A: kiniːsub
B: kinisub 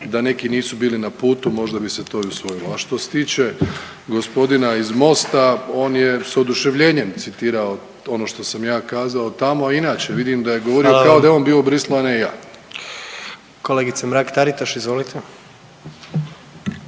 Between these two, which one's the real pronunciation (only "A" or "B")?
A